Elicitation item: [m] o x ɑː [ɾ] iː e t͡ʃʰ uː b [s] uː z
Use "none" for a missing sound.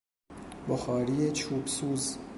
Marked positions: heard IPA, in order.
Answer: b, ɾ, s

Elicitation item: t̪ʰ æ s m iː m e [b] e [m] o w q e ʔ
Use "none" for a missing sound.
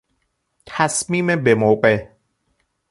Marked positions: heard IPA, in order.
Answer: b, m

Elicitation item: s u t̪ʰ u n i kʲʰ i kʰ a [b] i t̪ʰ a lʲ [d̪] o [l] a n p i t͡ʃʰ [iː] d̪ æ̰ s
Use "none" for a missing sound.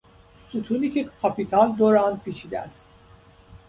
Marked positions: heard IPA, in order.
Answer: p, d̪, ɾ, i

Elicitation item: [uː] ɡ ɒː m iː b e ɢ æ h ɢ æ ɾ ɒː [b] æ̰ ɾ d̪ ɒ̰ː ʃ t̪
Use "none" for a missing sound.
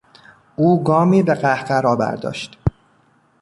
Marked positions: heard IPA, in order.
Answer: uː, b

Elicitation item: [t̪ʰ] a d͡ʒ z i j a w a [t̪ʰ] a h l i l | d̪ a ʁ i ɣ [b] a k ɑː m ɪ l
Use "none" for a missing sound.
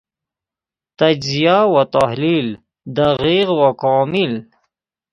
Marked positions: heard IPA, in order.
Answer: t̪, t̪, w

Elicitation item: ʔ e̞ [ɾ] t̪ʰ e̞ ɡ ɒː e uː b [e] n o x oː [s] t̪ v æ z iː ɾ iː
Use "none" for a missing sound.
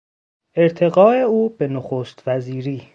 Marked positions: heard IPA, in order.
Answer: ɾ, e, s

